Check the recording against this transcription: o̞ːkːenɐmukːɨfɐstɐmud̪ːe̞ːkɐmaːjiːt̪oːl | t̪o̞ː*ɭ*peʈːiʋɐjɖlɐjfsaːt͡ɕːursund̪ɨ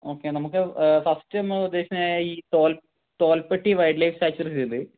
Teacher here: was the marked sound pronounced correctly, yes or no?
no